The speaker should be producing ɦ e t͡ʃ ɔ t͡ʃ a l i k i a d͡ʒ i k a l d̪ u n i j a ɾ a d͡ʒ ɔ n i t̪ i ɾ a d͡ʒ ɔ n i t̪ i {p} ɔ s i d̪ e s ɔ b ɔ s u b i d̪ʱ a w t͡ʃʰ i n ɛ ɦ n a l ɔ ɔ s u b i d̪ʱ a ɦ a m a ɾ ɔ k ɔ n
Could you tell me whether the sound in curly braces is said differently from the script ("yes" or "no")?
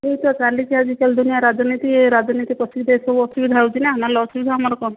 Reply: no